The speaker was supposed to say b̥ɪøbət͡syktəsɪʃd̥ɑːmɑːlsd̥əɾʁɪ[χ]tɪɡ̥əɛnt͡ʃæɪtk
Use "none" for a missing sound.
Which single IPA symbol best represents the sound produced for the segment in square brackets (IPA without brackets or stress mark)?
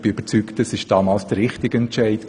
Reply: χ